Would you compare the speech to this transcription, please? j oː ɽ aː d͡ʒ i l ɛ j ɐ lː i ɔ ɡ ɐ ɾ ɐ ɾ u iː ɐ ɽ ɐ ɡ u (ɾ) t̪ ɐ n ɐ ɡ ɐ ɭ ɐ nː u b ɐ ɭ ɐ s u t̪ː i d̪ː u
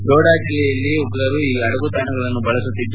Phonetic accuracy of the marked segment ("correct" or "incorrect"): incorrect